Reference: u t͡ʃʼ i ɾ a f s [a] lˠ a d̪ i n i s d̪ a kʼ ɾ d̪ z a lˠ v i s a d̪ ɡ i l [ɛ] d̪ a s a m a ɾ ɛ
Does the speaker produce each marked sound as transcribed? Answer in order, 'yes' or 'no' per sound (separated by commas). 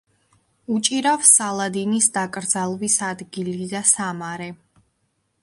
yes, no